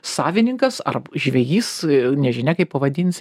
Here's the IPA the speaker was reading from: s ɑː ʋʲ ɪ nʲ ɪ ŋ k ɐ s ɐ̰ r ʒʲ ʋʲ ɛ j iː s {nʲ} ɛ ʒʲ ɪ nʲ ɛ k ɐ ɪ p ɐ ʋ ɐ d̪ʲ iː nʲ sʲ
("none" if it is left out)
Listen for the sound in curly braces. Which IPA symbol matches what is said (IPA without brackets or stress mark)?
nʲ